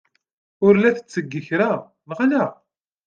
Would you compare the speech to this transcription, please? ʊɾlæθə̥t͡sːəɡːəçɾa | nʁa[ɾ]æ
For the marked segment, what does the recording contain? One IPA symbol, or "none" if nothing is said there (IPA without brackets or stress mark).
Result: l